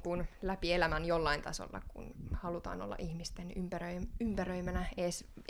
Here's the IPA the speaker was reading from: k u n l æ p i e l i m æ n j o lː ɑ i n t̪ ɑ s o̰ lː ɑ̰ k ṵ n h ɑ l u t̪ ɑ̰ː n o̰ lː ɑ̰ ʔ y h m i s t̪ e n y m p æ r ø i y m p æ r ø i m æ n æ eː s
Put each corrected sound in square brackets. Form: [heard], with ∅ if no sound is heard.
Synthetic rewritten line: k u n l æ p i e l [æ] m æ n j o lː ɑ i n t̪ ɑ s o̰ lː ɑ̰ k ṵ n h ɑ l u t̪ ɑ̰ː n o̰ lː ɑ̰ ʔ [i] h m i s t̪ e n y m p æ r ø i y m p æ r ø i m æ n æ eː s